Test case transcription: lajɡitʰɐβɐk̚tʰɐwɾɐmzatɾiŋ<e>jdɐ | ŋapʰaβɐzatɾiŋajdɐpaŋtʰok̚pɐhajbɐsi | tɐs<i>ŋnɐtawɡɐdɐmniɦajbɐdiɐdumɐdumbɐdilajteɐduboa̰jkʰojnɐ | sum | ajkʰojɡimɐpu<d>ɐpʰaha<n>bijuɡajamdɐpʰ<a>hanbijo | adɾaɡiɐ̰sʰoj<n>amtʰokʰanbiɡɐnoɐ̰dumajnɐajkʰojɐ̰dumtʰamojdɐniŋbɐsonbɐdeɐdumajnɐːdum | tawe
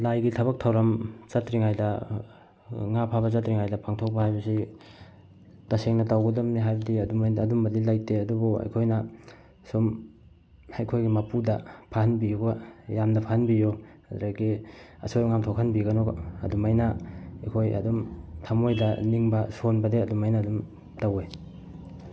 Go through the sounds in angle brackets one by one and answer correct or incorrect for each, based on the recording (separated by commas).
incorrect, incorrect, correct, correct, correct, incorrect